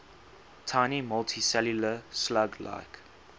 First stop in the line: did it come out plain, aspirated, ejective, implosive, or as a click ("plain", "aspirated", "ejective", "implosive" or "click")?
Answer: aspirated